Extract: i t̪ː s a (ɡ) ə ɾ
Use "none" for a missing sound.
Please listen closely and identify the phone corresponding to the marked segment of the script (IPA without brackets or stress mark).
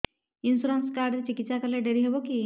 k